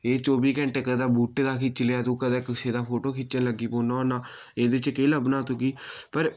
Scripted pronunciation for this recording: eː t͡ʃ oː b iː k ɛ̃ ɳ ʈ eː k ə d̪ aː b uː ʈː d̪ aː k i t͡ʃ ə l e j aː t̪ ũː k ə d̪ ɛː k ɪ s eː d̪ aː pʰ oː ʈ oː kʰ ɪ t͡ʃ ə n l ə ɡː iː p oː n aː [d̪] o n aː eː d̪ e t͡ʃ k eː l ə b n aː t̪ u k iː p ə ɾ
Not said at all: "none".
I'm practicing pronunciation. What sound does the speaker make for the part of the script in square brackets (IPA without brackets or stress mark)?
none